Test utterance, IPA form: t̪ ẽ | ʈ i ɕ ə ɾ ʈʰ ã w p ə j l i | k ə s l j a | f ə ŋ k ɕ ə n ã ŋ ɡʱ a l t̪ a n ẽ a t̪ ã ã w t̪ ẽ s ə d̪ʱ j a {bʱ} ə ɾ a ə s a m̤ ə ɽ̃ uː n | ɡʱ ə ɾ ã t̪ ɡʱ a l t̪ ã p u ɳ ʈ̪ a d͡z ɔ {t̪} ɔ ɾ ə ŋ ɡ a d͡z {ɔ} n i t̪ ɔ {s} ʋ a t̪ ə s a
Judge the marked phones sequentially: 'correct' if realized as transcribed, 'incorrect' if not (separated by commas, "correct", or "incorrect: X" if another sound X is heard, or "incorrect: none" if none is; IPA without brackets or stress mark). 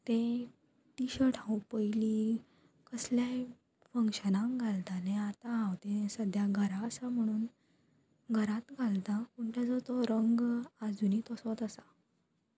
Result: incorrect: ɡʱ, correct, incorrect: u, correct